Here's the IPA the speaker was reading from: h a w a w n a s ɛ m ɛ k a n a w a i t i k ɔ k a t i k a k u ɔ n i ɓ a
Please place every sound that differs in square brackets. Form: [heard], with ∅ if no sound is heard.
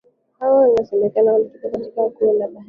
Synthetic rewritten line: h a w a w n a s ɛ m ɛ k a n a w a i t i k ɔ k a t i k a k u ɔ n [a] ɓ a